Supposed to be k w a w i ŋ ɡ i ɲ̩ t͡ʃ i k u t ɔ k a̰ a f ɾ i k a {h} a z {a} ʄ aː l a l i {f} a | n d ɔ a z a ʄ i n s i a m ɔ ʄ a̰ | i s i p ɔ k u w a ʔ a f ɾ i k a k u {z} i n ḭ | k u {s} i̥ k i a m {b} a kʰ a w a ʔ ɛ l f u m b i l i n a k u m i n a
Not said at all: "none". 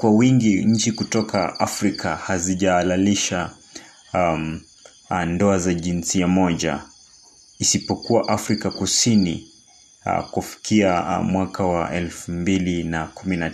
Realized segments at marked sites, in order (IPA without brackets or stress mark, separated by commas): h, i, ʃ, s, f, w